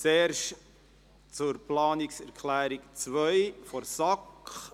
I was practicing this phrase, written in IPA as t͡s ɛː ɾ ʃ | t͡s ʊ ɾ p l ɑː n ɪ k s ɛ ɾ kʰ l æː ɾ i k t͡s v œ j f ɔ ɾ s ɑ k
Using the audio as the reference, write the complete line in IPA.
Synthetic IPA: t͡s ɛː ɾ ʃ | t͡s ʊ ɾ p l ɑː n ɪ k s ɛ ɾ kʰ l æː ɾ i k t͡s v œ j f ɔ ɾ s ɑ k